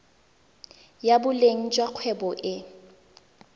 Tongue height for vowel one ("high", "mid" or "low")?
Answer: low